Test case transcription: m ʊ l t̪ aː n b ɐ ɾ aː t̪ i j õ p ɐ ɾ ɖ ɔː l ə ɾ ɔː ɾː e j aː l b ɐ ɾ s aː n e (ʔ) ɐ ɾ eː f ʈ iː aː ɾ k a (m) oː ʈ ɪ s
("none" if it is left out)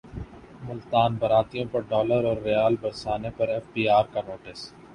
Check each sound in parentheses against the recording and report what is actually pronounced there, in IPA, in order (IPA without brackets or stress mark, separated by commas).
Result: p, n